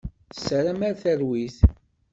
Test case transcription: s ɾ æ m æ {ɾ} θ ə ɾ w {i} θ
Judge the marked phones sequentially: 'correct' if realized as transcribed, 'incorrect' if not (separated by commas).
correct, correct